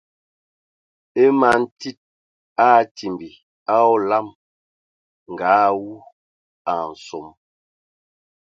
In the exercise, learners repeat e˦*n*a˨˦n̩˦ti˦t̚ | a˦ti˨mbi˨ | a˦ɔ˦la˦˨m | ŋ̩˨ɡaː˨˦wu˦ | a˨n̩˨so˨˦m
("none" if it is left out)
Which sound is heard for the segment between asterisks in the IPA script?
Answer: m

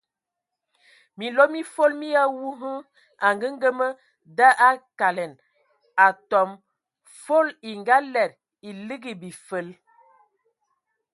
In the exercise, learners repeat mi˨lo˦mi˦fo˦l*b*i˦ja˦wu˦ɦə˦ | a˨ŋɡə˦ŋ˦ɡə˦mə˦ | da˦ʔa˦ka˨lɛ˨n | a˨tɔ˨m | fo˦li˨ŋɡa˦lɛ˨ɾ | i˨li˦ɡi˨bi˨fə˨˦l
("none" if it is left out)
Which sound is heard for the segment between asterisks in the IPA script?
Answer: m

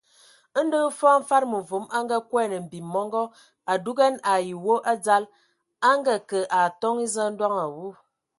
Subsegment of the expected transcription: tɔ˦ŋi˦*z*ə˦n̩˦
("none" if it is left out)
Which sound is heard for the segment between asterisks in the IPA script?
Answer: z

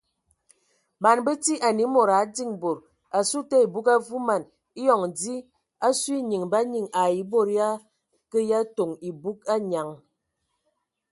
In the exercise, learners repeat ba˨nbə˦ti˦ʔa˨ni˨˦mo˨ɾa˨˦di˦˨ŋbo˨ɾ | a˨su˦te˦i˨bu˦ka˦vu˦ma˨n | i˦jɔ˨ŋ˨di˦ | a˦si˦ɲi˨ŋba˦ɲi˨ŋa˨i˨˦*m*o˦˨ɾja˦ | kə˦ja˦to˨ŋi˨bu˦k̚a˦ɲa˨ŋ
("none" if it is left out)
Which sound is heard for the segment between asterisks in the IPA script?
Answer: b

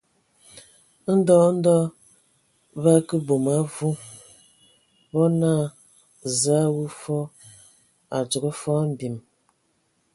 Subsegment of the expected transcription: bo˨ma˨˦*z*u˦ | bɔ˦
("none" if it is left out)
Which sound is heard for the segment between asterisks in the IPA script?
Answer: v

